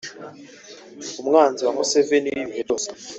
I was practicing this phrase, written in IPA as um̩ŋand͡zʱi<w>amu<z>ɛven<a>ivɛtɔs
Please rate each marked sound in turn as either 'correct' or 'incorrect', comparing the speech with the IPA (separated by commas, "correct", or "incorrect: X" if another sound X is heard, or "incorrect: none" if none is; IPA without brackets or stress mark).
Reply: correct, incorrect: s, incorrect: i